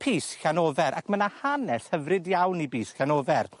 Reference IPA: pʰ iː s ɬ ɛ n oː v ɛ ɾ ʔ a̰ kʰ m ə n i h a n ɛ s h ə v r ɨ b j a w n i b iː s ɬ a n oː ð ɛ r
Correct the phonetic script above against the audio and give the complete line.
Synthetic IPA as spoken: pʰ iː s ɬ a n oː v ɛ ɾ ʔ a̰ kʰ m ə n a h a n ɛ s h ə v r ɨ d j a w n i b iː s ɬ a n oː v ɛ r